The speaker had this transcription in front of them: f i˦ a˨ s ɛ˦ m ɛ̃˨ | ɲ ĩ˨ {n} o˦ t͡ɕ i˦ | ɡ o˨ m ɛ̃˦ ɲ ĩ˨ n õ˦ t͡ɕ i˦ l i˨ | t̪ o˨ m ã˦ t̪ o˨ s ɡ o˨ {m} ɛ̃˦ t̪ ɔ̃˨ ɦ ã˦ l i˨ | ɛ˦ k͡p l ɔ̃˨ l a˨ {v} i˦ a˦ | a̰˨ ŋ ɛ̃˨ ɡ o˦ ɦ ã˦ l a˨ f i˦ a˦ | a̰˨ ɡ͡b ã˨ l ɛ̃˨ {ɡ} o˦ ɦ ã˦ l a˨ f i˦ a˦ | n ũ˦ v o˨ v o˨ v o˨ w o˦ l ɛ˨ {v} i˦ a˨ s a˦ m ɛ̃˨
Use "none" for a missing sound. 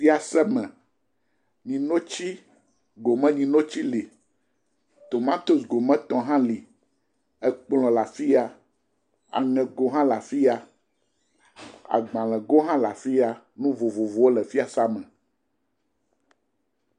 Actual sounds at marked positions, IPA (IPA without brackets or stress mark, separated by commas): n, m, f, ɡ, f